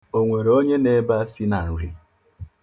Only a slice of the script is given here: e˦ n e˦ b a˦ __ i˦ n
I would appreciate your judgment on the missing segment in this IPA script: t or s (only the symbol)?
s